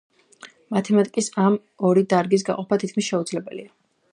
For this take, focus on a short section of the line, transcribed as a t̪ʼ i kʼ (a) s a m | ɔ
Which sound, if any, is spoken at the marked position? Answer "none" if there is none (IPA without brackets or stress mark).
i